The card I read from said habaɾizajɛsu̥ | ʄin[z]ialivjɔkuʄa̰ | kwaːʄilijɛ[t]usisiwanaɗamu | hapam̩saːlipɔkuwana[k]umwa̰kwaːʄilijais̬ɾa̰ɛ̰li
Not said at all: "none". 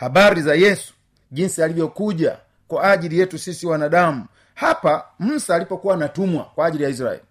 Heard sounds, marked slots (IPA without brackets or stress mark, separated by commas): s, t, t